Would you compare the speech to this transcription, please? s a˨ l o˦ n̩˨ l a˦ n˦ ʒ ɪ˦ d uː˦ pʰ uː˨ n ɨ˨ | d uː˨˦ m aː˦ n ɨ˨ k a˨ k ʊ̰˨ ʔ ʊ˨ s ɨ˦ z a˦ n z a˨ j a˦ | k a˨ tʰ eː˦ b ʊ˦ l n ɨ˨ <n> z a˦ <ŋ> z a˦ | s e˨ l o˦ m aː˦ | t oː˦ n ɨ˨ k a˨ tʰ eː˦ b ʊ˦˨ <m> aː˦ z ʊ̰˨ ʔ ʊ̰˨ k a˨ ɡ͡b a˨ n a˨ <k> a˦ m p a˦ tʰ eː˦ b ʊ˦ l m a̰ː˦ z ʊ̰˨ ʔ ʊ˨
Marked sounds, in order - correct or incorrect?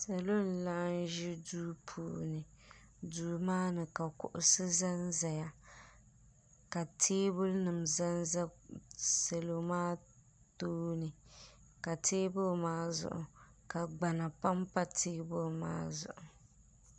incorrect: m, incorrect: n, correct, incorrect: p

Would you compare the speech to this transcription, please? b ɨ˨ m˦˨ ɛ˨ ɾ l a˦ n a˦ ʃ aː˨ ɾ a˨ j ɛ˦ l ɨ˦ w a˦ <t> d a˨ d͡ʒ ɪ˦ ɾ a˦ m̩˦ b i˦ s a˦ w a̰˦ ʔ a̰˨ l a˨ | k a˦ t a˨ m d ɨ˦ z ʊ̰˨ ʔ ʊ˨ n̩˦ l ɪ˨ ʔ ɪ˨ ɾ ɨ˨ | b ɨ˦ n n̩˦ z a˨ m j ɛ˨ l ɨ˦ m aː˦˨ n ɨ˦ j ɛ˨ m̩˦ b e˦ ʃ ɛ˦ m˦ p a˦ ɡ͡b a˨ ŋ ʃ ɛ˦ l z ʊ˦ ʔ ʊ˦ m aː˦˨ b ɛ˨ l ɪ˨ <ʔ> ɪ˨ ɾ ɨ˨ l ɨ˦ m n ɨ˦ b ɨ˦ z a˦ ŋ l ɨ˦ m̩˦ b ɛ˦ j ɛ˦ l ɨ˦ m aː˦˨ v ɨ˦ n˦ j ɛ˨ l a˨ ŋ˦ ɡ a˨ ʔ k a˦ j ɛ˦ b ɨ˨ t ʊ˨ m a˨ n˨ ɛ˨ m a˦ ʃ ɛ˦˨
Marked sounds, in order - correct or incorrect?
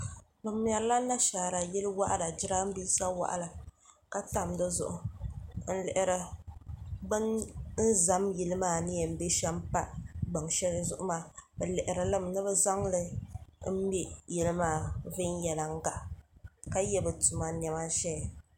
incorrect: ʔ, correct

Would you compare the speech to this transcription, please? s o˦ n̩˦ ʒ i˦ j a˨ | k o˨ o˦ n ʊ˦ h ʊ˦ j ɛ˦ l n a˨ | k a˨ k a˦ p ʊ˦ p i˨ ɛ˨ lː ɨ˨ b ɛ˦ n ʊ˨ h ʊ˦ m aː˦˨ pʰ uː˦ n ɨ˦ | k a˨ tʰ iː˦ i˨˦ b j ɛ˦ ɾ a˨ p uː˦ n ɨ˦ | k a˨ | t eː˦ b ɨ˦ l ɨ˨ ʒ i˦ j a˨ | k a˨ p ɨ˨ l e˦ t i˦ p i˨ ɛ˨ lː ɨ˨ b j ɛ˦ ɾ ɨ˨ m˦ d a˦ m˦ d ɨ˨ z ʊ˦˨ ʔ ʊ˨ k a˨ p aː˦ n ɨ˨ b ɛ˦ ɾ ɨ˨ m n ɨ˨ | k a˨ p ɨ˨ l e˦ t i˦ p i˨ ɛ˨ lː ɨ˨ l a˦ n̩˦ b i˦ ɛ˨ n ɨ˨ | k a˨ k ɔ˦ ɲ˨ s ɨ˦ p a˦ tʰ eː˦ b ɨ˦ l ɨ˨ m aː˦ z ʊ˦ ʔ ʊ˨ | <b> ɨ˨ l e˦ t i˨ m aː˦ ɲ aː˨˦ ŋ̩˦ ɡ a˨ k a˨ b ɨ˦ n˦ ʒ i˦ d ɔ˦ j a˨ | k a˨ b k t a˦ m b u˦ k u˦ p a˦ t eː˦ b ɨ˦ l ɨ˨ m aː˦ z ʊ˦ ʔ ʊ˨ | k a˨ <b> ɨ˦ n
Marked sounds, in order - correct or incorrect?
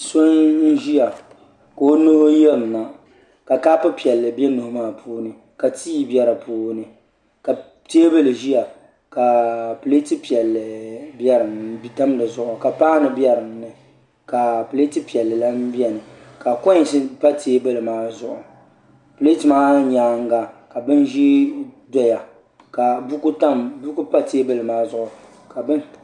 incorrect: p, correct

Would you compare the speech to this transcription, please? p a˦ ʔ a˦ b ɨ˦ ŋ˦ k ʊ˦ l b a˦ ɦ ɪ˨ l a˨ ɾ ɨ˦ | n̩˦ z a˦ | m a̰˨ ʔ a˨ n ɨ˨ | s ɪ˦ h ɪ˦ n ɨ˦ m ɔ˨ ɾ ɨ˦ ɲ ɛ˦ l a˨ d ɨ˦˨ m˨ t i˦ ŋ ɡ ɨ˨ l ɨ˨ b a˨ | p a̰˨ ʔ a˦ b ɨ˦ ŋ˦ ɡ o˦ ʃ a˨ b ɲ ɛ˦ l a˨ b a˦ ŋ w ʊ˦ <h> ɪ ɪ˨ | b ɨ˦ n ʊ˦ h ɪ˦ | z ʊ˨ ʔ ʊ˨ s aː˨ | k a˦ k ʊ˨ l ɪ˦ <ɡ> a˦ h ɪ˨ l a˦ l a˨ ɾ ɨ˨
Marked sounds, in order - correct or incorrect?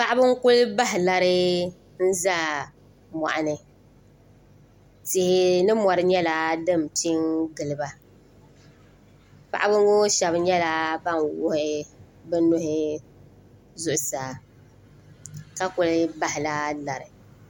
correct, incorrect: b

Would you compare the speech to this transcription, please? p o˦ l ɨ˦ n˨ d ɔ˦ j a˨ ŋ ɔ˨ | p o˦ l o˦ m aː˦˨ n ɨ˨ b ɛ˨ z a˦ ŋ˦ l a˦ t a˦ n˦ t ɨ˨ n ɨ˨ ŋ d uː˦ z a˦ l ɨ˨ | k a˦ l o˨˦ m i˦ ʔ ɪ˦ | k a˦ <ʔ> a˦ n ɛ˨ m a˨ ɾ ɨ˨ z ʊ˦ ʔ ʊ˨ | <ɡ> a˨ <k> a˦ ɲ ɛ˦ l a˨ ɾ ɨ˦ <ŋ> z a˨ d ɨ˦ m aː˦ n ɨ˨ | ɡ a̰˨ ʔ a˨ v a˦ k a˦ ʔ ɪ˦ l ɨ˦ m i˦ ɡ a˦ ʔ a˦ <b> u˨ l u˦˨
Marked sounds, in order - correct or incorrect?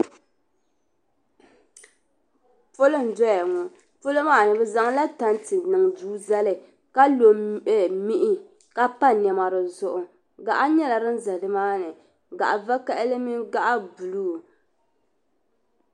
incorrect: p, correct, incorrect: ʔ, incorrect: n, correct

